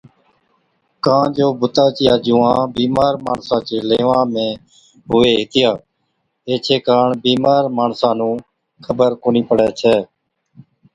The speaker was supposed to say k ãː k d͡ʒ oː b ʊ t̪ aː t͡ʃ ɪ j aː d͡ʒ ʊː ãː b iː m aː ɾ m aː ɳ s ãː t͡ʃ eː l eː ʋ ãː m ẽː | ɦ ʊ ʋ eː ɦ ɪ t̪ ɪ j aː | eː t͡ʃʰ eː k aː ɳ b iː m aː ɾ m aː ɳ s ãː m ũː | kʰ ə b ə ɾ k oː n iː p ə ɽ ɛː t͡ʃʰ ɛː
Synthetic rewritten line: k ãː d͡ʒ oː b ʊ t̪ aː t͡ʃ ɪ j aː d͡ʒ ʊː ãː b iː m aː ɾ m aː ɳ s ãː t͡ʃ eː l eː ʋ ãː m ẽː | ɦ ʊ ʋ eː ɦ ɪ t̪ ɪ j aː | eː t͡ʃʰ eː k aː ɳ b iː m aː ɾ m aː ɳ s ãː n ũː | kʰ ə b ə ɾ k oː n iː p ə ɽ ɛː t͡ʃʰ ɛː

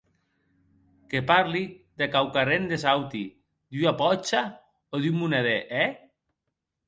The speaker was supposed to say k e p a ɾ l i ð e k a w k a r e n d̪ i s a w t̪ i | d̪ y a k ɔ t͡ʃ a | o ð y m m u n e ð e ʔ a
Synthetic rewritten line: k e p a ɾ l i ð e k a w k a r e n d̪ e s a w t̪ i | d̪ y a p ɔ t͡ʃ a | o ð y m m u n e ð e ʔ ɛ

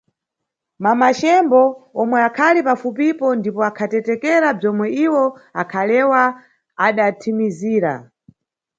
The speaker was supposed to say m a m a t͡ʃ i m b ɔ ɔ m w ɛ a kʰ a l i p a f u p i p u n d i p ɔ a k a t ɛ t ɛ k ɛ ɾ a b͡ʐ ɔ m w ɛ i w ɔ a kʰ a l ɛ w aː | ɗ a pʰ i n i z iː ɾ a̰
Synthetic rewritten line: m a m a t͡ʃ ɛ m b ɔ ɔ m w ɛ a kʰ a l i p a f u p i p ɔ n d i p ɔ a kʰ a t ɛ t ɛ k ɛ ɾ a b͡ʐ ɔ m w ɛ i w ɔ a kʰ a l ɛ w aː | ɗ a tʰ i m i z iː ɾ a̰

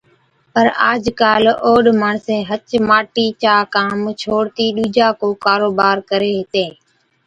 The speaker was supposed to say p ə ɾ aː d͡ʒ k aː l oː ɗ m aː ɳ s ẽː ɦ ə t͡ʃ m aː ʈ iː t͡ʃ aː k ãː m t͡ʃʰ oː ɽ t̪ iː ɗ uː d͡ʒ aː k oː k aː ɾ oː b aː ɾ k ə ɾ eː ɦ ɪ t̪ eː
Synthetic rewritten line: p ə ɾ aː d͡ʒ k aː l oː ɗ m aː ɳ s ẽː ɦ ə t͡ʃ m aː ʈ iː t͡ʃ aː k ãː m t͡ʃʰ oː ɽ t̪ iː ɗ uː d͡ʒ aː k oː k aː ɾ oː b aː ɾ k ə ɾ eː ɦ ɪ t̪ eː

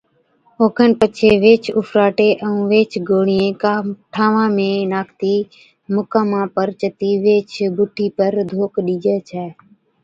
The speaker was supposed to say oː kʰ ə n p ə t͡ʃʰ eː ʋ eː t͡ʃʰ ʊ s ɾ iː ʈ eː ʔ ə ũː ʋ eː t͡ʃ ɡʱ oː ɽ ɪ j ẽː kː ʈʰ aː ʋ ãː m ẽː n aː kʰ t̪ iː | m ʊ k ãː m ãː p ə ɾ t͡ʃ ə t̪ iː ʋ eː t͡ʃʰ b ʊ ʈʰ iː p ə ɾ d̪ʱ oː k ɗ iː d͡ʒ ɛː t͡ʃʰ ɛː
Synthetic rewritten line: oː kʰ ə n p ə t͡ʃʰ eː ʋ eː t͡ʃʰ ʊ f ɾ aː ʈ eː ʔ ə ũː ʋ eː t͡ʃ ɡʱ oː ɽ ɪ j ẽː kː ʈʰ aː ʋ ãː m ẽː n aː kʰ t̪ iː | m ʊ k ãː m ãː p ə ɾ t͡ʃ ə t̪ iː ʋ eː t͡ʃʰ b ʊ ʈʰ iː p ə ɾ d̪ʱ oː k ɗ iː d͡ʒ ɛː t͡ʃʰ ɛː

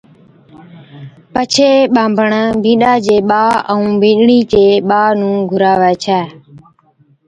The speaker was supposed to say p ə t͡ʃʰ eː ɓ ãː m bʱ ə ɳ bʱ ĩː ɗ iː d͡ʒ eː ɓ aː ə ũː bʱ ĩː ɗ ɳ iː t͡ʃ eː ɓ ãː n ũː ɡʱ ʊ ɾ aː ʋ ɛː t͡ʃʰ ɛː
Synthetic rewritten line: p ə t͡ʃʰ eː ɓ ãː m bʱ ə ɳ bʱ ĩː ɗ aː d͡ʒ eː ɓ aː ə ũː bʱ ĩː ɗ ɳ iː t͡ʃ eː ɓ aː n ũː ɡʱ ʊ ɾ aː ʋ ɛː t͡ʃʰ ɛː

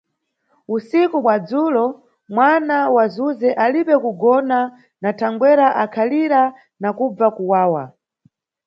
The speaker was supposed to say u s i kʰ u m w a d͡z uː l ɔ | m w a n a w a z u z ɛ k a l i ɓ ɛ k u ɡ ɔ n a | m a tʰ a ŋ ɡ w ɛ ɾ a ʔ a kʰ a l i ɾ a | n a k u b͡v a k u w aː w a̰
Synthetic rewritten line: u s i k u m w a d͡z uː l ɔ | m w a n a w a z u z ɛ ʔ a l i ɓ ɛ k u ɡ ɔ n a | n a tʰ a ŋ ɡ w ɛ ɾ a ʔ a kʰ a l i ɾ a | n a k u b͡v a k u w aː w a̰

